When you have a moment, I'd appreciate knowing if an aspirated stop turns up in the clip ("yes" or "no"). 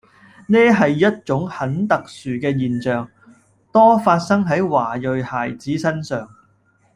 no